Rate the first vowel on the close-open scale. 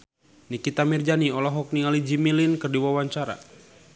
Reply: close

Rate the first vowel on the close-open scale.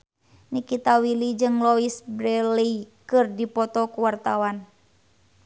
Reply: close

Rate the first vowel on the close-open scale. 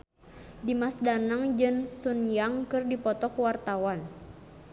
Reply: close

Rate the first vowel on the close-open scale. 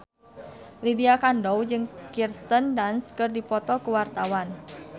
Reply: close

